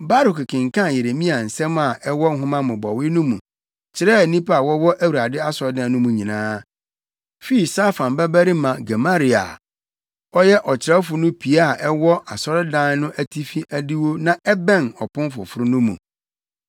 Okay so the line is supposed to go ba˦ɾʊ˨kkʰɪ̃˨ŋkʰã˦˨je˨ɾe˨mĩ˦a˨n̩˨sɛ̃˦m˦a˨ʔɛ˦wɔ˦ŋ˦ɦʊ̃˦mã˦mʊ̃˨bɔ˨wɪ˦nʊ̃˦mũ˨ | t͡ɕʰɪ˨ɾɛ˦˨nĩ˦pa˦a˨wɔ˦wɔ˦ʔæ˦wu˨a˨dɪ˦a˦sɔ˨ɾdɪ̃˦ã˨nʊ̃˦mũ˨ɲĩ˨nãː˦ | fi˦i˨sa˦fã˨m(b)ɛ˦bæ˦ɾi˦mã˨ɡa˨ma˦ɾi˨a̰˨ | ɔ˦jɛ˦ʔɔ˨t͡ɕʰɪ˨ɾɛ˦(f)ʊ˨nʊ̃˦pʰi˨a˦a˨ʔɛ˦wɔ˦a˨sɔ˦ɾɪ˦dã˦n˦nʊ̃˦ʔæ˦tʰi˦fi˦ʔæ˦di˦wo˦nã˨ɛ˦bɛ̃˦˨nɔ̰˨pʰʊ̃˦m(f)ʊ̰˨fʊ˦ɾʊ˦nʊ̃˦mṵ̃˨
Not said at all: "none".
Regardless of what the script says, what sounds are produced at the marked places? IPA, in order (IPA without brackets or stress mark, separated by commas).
b, f, f